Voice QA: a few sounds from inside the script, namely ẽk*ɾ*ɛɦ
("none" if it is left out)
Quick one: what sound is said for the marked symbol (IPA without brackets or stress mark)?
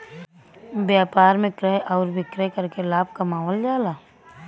ɾ